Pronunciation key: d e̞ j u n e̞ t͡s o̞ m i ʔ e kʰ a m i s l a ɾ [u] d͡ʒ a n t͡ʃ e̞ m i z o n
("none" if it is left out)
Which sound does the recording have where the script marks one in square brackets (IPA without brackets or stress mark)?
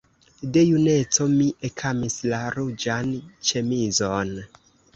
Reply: u